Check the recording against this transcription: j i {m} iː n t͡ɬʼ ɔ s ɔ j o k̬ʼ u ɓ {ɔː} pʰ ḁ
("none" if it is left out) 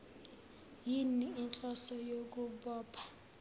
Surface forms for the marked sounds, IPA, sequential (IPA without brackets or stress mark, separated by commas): n, ɔː